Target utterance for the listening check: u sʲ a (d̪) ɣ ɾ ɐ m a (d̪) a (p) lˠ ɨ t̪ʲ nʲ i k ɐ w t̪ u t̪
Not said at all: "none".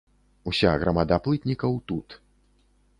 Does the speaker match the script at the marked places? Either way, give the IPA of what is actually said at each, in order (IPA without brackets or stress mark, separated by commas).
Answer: none, d̪, p